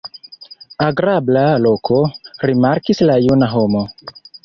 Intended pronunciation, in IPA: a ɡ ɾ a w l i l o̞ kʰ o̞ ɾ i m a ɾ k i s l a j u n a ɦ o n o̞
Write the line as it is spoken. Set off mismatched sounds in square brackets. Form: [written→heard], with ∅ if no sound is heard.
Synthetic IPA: a ɡ ɾ a [w→b] l [i→a] l o̞ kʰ o̞ ɾ i m a ɾ k i s l a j u n a ɦ o [n→m] o̞

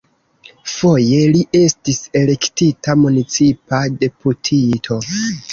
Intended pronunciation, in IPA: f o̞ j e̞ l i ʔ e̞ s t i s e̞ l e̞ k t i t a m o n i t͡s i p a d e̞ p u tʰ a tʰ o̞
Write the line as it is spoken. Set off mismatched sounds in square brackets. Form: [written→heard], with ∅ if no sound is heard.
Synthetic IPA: f o̞ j e̞ l i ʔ e̞ s t i s e̞ l e̞ k t i t a m [o→u] n i t͡s i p a d e̞ p u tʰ [a→i] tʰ o̞

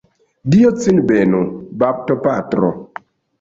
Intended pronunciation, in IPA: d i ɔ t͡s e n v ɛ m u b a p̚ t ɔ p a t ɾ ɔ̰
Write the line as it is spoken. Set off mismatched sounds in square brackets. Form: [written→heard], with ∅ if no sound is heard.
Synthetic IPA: d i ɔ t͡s [e→i] n [v→b] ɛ [m→n] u b a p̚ t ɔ p a t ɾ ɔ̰

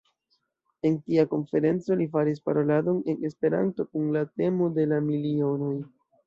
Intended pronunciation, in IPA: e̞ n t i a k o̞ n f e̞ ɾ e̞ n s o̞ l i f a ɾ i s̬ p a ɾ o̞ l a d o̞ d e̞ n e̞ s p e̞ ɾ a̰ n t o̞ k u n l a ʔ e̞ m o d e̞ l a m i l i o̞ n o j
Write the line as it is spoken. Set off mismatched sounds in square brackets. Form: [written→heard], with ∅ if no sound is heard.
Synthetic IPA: e̞ n t i a k o̞ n f e̞ ɾ e̞ n [s→t͡s] o̞ l i f a ɾ i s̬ p a ɾ o̞ l a d o̞ [d→n] e̞ n e̞ s p e̞ ɾ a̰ n t o̞ k u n l a [ʔ→t] e̞ m o d e̞ l a m i l i o̞ n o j

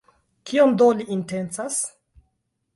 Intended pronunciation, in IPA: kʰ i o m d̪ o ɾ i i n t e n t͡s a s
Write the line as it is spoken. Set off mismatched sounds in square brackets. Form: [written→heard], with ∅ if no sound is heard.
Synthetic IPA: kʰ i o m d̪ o [ɾ→l] i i n t e n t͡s a s

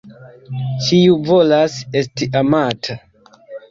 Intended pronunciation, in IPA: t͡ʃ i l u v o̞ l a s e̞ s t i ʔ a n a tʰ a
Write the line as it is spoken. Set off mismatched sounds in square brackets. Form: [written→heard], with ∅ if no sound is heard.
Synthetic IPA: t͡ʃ i [l→∅] u v o̞ l a s e̞ s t i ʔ a [n→m] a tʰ a

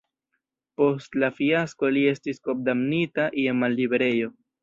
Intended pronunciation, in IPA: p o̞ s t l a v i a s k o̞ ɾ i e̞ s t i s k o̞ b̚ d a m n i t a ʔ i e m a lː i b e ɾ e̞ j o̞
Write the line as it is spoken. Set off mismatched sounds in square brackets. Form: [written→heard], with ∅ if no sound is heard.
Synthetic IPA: p o̞ s t l a [v→f] i a s k o̞ [ɾ→l] i e̞ s t i s k o̞ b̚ d a m n i t a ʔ i e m a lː i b e ɾ e̞ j o̞

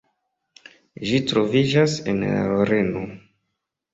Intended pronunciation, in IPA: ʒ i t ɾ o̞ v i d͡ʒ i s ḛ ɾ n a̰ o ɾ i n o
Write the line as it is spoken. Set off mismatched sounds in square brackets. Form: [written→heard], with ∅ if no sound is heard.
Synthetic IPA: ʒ i t ɾ o̞ v i d͡ʒ [i→a] s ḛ [ɾ→∅] n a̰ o ɾ [i→e] n o

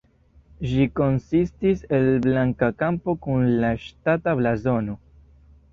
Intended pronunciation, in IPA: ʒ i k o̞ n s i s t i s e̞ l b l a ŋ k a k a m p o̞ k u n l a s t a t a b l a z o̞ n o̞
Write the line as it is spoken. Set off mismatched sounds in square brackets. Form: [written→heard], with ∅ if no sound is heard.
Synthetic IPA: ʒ i k o̞ n s i s t i s e̞ l b l a ŋ k a k a m p o̞ k u n l a [s→ʃ] t a t a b l a z o̞ n o̞

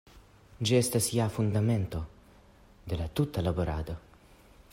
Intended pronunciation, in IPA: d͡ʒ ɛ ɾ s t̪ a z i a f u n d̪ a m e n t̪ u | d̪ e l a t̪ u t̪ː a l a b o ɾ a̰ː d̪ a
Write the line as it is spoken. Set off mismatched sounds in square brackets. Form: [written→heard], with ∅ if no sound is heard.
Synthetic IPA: d͡ʒ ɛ [ɾ→∅] s t̪ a [z→s] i a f u n d̪ a m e n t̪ [u→o] | d̪ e l a t̪ u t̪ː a l a b o ɾ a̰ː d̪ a

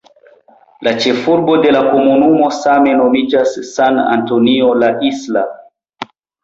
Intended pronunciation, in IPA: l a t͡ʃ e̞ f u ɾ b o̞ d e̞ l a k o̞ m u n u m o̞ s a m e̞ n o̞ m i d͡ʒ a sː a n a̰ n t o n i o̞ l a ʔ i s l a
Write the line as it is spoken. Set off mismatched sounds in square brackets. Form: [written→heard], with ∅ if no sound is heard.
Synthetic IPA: l a t͡ʃ e̞ f u ɾ b o̞ d e̞ l a k o̞ m u n u m o̞ s a m e̞ n o̞ m i d͡ʒ a sː a n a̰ n t o n i o̞ l a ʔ i s l a

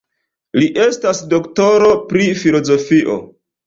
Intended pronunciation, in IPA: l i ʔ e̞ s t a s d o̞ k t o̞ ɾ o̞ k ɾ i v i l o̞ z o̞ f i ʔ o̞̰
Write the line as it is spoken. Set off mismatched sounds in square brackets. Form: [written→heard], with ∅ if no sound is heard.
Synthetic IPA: l i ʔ e̞ s t a s d o̞ k t o̞ ɾ o̞ [k→p] ɾ i [v→f] i l o̞ z o̞ f i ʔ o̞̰

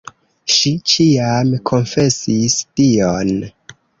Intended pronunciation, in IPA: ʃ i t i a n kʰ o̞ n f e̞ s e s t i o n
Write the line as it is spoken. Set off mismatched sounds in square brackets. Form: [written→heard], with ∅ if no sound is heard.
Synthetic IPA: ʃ i [t→t͡ʃ] i a [n→m] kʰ o̞ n f e̞ s [e→i] s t i o n

